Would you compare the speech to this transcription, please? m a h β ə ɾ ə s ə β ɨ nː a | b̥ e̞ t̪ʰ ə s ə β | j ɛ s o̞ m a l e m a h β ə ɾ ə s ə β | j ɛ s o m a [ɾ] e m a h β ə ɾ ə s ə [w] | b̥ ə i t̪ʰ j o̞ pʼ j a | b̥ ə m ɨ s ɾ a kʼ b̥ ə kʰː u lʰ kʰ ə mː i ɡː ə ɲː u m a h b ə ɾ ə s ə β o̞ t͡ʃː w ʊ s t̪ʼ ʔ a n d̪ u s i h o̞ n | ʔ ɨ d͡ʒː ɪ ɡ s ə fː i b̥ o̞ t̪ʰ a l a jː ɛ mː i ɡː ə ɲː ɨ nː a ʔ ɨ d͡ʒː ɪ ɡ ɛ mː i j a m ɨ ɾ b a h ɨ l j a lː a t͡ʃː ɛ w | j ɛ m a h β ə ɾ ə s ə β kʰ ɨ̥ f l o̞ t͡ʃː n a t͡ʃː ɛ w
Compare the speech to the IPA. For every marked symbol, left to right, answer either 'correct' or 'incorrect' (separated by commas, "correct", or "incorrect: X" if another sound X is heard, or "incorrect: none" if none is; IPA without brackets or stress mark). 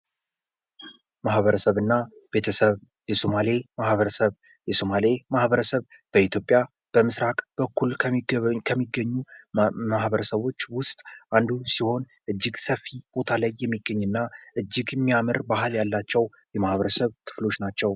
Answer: incorrect: l, incorrect: β